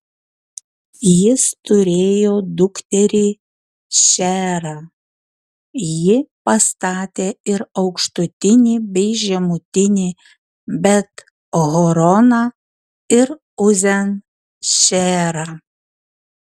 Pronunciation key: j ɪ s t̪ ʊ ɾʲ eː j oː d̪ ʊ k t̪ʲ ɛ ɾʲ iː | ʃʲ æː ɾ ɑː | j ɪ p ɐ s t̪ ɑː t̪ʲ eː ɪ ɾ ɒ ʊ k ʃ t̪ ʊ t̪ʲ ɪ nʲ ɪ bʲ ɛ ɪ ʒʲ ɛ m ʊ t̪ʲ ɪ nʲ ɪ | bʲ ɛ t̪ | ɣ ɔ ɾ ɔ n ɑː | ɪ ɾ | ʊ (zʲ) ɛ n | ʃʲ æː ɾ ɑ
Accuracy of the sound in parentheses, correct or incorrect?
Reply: correct